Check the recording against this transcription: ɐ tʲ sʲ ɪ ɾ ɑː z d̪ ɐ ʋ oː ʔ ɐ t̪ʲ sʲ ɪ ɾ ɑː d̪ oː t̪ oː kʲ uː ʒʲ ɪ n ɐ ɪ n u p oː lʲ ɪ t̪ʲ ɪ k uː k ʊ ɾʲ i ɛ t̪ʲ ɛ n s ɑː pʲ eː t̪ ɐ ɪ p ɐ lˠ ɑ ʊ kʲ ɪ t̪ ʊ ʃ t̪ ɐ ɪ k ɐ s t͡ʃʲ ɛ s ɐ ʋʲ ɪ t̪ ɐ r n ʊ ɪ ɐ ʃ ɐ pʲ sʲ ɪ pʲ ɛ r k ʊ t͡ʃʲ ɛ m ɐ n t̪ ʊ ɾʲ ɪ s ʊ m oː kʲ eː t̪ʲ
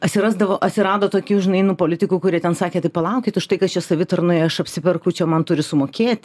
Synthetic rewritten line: ɐ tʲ sʲ ɪ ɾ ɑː z d̪ ɐ ʋ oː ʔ ɐ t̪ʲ sʲ ɪ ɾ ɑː d̪ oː t̪ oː kʲ uː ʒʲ ɪ n ɐ ɪ n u p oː lʲ ɪ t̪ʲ ɪ k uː k ʊ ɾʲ i ɛ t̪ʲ ɛ n s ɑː kʲ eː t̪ ɐ ɪ p ɐ lˠ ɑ ʊ kʲ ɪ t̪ ʊ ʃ t̪ ɐ ɪ k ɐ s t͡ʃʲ ɛ s ɐ ʋʲ ɪ t̪ ɐ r n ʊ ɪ ɐ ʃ ɐ pʲ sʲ ɪ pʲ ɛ r k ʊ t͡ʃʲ ɛ m ɐ n t̪ ʊ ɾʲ ɪ s ʊ m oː kʲ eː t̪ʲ

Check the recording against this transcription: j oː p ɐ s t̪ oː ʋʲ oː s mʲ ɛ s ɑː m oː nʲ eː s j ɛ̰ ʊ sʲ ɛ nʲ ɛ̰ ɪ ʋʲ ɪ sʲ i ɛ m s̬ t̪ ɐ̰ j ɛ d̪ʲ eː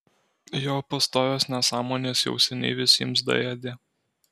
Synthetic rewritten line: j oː p ɐ s t̪ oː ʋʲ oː s nʲ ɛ s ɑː m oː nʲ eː s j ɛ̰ ʊ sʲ ɛ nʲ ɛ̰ ɪ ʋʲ ɪ sʲ i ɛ m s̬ d̪ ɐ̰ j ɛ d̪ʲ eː

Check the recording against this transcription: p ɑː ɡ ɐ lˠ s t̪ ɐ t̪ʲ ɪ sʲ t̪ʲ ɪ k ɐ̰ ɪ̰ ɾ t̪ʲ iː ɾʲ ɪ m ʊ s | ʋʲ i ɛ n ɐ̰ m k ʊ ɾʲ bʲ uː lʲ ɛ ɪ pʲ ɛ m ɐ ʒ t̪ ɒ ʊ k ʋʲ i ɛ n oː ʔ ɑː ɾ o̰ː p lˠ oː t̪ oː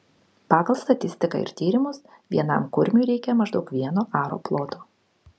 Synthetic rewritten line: p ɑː ɡ ɐ lˠ s t̪ ɐ t̪ʲ ɪ sʲ t̪ʲ ɪ k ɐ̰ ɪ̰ ɾ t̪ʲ iː ɾʲ ɪ m ʊ s | ʋʲ i ɛ n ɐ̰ m k ʊ ɾʲ mʲ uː ɾʲ ɛ ɪ kʲ ɛ m ɐ ʒ d̪ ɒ ʊ k ʋʲ i ɛ n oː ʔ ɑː ɾ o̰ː p lˠ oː t̪ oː

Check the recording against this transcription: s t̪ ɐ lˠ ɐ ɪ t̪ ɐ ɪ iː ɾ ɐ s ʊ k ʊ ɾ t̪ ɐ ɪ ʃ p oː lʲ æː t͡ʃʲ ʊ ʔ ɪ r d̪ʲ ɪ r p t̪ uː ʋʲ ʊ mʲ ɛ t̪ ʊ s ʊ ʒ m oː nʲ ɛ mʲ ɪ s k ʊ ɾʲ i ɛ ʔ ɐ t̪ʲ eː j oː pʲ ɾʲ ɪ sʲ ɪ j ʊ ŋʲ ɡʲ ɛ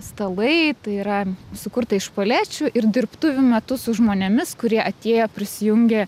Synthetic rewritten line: s t̪ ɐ lˠ ɐ ɪ t̪ ɐ ɪ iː ɾ ɐ s ʊ k ʊ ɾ t̪ ɐ ɪ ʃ p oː lʲ æː t͡ʃʲ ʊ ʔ ɪ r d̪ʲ ɪ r p t̪ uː ʋʲ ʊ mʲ ɛ t̪ ʊ s ʊ ʒ m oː nʲ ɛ mʲ ɪ s k ʊ ɾʲ i ɛ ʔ ɐ t̪ʲ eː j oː pʲ ɾʲ ɪ sʲ ɪ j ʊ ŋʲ ɡʲ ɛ

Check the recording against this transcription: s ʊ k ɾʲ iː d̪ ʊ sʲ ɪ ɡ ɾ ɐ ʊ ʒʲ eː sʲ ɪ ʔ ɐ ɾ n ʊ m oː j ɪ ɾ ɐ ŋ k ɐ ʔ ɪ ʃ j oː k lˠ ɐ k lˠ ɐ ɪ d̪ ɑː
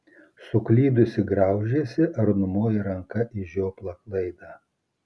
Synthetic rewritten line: s ʊ k lʲ iː d̪ ʊ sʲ ɪ ɡ ɾ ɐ ʊ ʒʲ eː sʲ ɪ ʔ ɐ ɾ n ʊ m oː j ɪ ɾ ɐ ŋ k ɐ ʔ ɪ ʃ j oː p lˠ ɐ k lˠ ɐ ɪ d̪ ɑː

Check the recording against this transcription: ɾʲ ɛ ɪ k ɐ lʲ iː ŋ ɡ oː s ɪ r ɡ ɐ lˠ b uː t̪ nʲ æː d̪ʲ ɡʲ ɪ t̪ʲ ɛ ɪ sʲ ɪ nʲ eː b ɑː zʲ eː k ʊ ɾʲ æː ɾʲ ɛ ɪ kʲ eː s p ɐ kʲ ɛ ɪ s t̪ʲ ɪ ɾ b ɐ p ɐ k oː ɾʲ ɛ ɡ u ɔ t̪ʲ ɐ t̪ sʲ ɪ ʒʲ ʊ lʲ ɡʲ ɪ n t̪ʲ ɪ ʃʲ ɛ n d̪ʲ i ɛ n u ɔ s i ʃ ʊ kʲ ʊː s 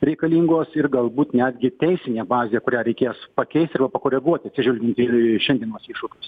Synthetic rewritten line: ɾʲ ɛ ɪ k ɐ lʲ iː ŋ ɡ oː s ɪ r ɡ ɐ lˠ b uː t̪ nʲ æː d̪ʲ ɡʲ ɪ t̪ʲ ɛ ɪ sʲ ɪ nʲ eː b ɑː zʲ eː k ʊ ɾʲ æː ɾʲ ɛ ɪ kʲ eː s p ɐ kʲ ɛ ɪ s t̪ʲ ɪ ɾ b ɐ p ɐ k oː ɾʲ ɛ ɡ u ɔ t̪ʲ ɐ t̪ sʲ ɪ ʒʲ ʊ lʲ ɡʲ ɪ n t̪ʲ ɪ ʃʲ ɛ n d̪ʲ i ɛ n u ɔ s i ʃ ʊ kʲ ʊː s

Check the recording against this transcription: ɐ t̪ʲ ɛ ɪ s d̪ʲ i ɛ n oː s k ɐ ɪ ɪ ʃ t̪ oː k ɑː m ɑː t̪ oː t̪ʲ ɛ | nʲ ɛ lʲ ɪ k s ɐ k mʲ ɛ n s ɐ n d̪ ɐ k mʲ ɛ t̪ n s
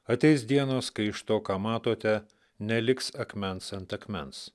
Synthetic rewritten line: ɐ t̪ʲ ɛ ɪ s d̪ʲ i ɛ n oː s k ɐ ɪ ɪ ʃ t̪ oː k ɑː m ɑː t̪ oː t̪ʲ ɛ | nʲ ɛ lʲ ɪ k s ɐ k mʲ ɛ n s ɐ n t̪ ɐ k mʲ ɛ n s

